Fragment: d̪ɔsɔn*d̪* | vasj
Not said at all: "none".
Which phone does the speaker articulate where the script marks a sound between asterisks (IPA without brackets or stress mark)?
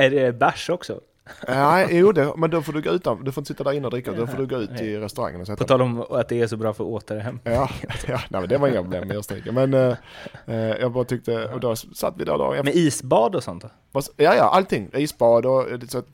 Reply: t̪